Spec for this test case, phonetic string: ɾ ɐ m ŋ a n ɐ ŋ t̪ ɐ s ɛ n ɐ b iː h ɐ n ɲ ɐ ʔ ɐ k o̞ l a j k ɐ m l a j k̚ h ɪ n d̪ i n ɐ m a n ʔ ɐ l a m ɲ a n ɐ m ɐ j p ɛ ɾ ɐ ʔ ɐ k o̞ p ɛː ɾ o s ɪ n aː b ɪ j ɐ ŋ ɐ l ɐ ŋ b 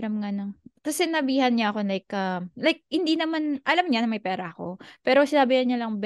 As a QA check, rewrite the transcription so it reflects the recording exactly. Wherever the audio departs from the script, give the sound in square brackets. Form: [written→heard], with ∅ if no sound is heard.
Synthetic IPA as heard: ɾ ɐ m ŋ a n ɐ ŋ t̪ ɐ s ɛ n ɐ b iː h ɐ n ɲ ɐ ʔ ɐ k o̞ l a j k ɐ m l a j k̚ h ɪ n d̪ i n ɐ m a n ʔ ɐ l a m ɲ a n ɐ m ɐ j p [ɛ→ɛː] ɾ ɐ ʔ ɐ k o̞ p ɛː ɾ o s ɪ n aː b ɪ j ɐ [ŋ→ɲ] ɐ l ɐ ŋ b